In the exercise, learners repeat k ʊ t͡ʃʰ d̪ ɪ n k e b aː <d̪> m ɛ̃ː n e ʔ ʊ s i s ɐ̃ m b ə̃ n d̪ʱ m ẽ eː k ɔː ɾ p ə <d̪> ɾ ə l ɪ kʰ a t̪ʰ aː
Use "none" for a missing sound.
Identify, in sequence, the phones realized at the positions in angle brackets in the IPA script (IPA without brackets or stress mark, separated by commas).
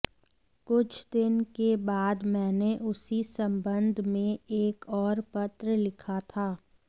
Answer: d̪, t̪